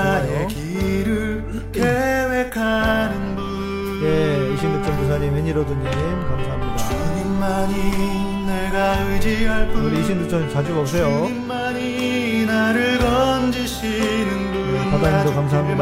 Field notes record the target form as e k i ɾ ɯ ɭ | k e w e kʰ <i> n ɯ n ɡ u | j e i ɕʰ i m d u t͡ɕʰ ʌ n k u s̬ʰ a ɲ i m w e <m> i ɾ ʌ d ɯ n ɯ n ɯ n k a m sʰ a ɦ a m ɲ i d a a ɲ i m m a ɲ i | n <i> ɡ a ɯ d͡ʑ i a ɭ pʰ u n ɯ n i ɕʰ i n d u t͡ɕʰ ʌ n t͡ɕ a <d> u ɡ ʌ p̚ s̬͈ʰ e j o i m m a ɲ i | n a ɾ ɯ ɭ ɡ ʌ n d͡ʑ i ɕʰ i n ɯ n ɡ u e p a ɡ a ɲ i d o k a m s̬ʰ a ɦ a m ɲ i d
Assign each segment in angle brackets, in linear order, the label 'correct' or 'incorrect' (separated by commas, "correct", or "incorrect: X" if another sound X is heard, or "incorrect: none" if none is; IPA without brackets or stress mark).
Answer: incorrect: a, incorrect: ɲ, incorrect: e, incorrect: d͡ʑ